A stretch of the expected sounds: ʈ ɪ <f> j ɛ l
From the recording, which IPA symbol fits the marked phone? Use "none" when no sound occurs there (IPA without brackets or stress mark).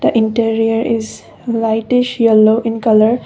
ʃ